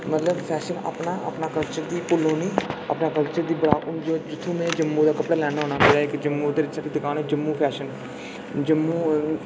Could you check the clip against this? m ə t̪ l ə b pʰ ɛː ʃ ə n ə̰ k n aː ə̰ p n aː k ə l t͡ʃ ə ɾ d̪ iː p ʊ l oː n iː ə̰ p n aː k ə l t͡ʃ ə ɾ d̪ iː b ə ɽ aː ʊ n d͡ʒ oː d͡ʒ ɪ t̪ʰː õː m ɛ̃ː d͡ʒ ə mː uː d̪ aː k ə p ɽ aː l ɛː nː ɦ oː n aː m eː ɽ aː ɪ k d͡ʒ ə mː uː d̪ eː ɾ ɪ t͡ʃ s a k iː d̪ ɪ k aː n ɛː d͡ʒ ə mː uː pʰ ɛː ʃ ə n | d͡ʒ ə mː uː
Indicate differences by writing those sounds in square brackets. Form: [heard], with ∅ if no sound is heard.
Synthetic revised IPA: m ə t̪ l ə b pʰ ɛː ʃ ə n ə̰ [p] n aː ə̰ p n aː k ə l t͡ʃ ə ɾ d̪ iː p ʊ l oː n iː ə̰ p n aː k ə l t͡ʃ ə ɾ d̪ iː b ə ɽ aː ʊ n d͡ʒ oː d͡ʒ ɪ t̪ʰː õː m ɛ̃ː d͡ʒ ə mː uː d̪ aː k ə p ɽ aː l ɛː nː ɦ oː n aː m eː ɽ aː ɪ k d͡ʒ ə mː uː d̪ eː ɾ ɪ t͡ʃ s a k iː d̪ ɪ k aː n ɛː d͡ʒ ə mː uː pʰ ɛː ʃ ə n | d͡ʒ ə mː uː